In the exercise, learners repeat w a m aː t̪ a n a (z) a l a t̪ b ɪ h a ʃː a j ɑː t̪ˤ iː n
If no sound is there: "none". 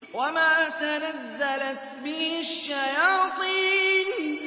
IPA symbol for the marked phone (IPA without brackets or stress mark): zː